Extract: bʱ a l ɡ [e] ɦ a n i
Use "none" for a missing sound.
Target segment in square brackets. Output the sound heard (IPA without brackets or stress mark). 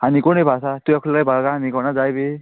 a